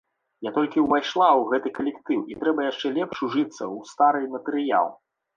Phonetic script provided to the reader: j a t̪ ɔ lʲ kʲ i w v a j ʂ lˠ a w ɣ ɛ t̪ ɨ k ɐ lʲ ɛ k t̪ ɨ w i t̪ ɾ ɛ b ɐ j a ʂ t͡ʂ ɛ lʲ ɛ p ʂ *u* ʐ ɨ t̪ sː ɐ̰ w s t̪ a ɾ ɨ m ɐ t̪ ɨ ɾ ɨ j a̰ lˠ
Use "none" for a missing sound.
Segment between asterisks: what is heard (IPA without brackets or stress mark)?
u